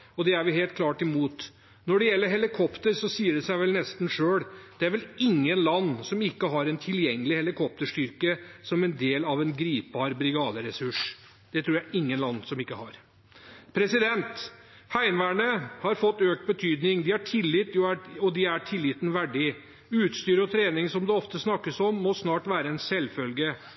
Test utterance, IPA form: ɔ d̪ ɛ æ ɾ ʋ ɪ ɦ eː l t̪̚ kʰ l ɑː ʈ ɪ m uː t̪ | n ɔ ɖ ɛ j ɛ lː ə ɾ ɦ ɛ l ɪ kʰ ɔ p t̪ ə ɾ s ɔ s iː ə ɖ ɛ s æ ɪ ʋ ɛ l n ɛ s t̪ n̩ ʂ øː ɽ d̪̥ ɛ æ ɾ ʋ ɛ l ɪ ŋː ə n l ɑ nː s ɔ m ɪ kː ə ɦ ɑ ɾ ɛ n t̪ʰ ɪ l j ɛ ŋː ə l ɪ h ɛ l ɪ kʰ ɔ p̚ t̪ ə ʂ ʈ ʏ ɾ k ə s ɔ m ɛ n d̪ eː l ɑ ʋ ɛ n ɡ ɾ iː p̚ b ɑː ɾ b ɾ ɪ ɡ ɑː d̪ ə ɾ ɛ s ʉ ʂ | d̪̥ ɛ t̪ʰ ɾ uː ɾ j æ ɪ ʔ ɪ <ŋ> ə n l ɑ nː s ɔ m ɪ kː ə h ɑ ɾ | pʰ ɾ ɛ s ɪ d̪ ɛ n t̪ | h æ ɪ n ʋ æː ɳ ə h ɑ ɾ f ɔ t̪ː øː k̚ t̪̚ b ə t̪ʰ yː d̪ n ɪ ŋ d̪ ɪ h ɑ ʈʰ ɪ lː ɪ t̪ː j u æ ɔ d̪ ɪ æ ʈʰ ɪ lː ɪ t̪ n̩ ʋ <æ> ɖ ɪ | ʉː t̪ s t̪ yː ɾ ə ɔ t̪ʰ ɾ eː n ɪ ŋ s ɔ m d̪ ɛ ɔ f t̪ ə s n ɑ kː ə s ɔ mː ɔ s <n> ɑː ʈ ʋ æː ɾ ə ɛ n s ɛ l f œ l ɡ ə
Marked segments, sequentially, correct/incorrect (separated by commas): incorrect, correct, correct